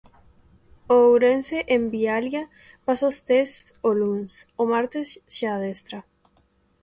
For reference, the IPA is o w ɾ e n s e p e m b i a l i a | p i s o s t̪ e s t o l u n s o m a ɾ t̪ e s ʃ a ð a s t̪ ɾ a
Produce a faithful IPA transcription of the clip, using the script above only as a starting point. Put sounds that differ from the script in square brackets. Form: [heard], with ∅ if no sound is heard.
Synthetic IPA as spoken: o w ɾ e n s e [ʔ] e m b i a l [j] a | p [a] s o s t̪ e s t o l u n s o m a ɾ t̪ e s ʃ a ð [e] s t̪ ɾ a